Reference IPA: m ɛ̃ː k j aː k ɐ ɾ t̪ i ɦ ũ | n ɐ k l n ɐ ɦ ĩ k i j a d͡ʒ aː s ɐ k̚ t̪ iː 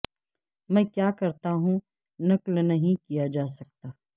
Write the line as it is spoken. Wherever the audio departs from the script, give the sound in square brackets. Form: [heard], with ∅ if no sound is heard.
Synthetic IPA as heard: m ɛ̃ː k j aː k ɐ ɾ t̪ [a] ɦ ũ | n ɐ k l n ɐ ɦ ĩ k i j a d͡ʒ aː s ɐ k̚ t̪ [aː]

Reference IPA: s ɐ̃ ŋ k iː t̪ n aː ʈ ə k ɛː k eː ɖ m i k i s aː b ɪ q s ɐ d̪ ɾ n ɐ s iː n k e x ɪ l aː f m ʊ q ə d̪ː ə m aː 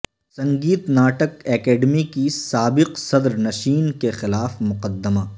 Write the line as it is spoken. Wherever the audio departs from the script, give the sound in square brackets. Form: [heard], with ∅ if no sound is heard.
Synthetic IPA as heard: s ɐ̃ ŋ [ɡ] iː t̪ n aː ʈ ə k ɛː k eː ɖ m i k i s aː b ɪ q s ɐ d̪ ɾ n ɐ [ʃ] iː n k e x ɪ l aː f m ʊ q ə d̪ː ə m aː

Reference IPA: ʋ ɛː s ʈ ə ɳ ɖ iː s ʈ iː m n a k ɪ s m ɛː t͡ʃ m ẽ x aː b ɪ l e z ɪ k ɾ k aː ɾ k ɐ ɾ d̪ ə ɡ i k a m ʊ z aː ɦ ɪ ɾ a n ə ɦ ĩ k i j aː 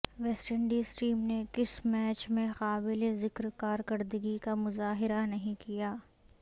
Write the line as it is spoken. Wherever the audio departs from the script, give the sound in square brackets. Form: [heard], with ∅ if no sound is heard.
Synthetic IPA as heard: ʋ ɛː s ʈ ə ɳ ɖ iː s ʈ iː m n [e] k ɪ s m ɛː t͡ʃ m ẽ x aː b ɪ l e z ɪ k ɾ k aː ɾ k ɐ ɾ d̪ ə ɡ i k a m ʊ z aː ɦ ɪ ɾ a n [ɐ] ɦ ĩ k i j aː

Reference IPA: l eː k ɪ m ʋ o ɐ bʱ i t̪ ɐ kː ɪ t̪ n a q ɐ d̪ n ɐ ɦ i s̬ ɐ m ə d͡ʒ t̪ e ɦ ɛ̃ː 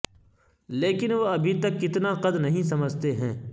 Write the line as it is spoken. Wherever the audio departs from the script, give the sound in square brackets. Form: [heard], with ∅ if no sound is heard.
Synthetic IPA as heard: l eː k ɪ [n] ʋ o ɐ bʱ i t̪ ɐ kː ɪ t̪ n a q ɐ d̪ n ɐ ɦ [ĩ] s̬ ɐ m ə d͡ʒ t̪ e ɦ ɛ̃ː

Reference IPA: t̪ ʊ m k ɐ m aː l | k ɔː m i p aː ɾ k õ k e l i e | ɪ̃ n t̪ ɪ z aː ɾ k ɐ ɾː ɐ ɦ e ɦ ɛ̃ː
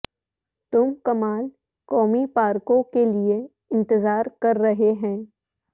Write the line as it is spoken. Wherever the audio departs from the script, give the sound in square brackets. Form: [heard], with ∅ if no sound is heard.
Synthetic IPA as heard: t̪ ʊ m k ɐ m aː l | k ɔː m i p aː ɾ k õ k e l i e | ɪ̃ n t̪ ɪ z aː ɾ k ɐ ɾː ɐ ɦ e ɦ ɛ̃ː

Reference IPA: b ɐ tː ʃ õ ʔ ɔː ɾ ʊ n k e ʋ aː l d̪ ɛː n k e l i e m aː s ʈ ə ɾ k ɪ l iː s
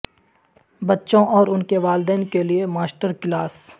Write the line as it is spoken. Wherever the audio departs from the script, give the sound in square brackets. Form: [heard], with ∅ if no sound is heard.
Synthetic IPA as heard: b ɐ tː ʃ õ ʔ ɔː ɾ ʊ n k e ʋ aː l d̪ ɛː n k e l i e m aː s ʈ ə ɾ k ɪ l [aː] s

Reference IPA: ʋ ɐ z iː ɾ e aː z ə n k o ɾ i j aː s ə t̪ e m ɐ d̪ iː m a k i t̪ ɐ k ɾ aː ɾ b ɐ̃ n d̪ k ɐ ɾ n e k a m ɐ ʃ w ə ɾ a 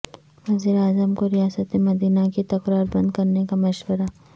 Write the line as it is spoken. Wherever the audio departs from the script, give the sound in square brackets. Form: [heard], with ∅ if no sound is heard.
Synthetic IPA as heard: ʋ ɐ z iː ɾ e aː z ə [m] k o ɾ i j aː s ə t̪ e m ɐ d̪ iː [n] a k i t̪ ɐ k ɾ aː ɾ b ɐ̃ n d̪ k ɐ ɾ n e k a m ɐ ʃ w ə ɾ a

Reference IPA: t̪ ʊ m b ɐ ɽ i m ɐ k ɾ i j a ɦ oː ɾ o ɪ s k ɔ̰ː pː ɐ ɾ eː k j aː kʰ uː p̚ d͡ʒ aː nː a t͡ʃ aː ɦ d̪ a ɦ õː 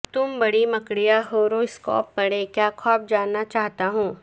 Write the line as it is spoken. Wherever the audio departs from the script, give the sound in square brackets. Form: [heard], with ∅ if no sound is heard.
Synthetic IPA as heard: t̪ ʊ m b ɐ ɽ i m ɐ k [ɽ] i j a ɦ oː ɾ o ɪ s k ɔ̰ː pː ɐ [ɽ] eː k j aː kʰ [ɔː] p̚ d͡ʒ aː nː a t͡ʃ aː ɦ [t̪] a ɦ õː

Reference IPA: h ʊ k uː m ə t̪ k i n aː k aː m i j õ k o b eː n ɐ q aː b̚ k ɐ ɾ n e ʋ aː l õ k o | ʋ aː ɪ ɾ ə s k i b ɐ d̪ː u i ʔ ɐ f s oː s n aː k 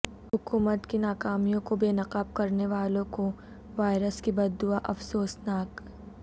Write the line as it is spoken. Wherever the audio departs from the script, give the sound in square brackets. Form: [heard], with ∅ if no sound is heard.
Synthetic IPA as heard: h ʊ k uː m ə t̪ k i n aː k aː m i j õ k o b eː n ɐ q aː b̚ k ɐ ɾ n e ʋ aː l õ k o | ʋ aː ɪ ɾ ə s k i b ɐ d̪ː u [a] ʔ ɐ f s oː s n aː k

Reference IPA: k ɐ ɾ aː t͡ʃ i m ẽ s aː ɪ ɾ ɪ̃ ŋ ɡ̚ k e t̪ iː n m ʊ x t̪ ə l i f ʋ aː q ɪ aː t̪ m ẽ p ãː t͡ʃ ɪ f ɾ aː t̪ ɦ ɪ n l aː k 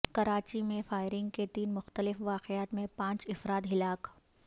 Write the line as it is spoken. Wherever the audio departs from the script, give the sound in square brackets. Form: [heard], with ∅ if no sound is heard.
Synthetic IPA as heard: k ɐ ɾ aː t͡ʃ i m ẽ [f] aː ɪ ɾ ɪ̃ ŋ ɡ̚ k e t̪ iː n m ʊ x t̪ ə l [ɪ] f ʋ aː q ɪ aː t̪ m ẽ p ãː t͡ʃ ɪ f ɾ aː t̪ ɦ ɪ [∅] l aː k

